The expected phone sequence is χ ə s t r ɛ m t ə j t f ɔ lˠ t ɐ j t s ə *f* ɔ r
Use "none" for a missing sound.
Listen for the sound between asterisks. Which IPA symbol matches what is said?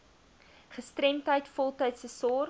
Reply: s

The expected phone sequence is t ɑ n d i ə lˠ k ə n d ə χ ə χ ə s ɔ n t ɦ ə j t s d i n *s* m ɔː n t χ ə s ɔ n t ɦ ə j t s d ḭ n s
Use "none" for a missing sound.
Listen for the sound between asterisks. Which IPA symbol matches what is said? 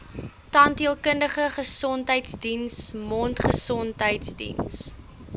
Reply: s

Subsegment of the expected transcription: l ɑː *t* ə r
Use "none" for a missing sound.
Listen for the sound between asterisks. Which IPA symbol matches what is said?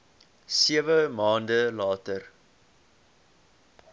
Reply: t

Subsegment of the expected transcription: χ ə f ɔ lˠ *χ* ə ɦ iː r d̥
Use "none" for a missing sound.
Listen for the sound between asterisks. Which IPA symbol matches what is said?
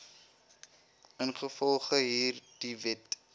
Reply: χ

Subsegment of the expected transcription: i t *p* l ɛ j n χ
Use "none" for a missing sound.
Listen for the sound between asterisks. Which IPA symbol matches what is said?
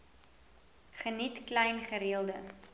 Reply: k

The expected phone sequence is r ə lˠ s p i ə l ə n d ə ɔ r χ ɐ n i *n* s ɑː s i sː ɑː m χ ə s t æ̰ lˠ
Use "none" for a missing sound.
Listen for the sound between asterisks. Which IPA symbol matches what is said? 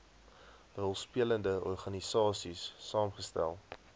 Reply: none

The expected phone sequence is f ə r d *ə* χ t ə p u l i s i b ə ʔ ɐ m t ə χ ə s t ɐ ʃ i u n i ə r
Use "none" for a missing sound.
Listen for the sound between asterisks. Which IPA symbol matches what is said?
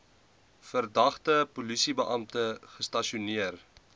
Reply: ɐ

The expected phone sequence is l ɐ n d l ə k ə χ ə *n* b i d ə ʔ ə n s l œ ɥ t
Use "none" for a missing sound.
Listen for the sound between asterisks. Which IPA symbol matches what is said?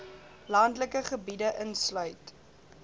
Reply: none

